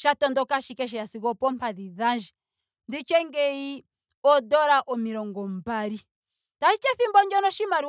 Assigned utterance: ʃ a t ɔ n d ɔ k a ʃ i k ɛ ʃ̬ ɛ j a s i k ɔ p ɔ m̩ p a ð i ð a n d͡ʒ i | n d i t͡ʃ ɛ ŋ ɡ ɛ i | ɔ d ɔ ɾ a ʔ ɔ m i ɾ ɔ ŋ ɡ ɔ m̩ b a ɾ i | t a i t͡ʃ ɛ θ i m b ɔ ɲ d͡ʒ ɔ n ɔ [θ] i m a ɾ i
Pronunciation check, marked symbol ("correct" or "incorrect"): incorrect